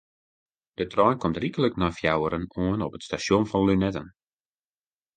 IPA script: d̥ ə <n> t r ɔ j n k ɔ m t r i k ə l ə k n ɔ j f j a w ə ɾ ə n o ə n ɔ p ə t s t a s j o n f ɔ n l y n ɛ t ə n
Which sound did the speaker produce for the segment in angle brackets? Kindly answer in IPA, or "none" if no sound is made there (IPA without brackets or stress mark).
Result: none